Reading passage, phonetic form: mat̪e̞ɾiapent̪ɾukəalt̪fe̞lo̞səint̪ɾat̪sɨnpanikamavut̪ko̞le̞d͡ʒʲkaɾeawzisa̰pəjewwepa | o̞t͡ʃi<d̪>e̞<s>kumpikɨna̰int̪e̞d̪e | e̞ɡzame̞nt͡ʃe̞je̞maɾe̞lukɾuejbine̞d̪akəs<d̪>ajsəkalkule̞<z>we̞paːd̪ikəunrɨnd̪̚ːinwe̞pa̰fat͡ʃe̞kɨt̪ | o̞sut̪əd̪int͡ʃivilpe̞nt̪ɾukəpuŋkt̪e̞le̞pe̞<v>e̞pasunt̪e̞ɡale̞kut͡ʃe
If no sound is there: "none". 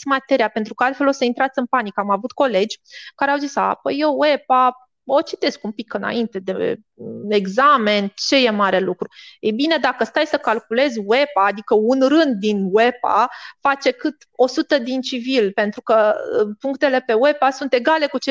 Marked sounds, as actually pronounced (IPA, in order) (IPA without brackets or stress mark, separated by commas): t̪, s, t̪, z, w